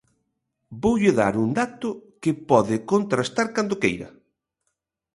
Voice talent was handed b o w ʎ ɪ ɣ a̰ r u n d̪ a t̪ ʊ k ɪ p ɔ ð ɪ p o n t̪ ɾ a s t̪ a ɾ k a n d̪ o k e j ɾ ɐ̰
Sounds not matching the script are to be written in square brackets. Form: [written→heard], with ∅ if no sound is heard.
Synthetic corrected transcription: b o w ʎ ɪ [ɣ→ð] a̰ [r→ɾ] u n d̪ a t̪ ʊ k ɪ p ɔ ð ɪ [p→k] o n t̪ ɾ a s t̪ a ɾ k a n d̪ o k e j ɾ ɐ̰